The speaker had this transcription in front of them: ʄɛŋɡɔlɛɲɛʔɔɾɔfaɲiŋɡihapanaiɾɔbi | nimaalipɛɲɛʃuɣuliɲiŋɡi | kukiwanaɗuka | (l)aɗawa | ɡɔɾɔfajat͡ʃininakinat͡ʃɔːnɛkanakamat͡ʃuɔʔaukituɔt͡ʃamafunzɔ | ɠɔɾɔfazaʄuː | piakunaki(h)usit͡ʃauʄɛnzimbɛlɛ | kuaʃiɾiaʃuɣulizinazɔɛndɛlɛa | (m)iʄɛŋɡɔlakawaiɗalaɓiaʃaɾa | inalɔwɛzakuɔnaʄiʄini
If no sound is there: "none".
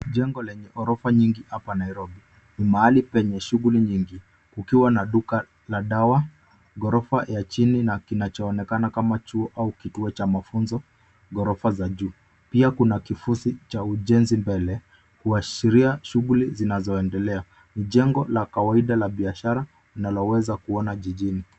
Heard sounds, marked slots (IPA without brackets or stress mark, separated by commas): l, f, n